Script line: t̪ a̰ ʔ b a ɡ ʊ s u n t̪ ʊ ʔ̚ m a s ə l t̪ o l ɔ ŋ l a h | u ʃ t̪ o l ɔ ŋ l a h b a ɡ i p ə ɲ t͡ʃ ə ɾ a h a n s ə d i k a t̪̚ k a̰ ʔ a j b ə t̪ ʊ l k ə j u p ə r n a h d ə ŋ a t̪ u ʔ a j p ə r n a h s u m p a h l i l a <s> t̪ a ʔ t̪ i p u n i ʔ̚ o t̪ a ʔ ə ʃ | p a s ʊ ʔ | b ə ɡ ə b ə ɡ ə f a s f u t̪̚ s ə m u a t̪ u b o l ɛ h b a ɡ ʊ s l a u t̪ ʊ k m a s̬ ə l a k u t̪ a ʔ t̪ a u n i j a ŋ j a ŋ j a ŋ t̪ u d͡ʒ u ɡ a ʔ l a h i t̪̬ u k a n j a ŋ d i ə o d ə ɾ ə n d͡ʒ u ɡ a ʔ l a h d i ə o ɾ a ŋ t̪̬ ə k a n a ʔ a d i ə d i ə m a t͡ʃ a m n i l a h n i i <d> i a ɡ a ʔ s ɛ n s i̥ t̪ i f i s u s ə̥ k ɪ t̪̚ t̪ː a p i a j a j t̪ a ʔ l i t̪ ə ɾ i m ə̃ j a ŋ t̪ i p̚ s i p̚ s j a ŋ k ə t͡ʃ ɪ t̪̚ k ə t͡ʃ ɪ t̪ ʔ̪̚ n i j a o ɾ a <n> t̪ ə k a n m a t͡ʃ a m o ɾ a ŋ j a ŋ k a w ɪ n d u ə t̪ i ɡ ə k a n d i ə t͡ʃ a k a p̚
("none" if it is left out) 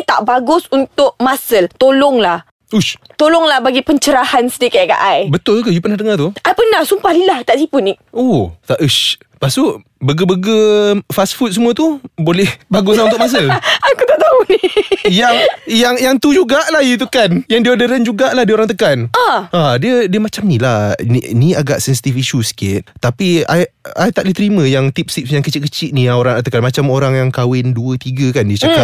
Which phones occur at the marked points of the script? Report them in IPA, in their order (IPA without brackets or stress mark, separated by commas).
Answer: h, n, ŋ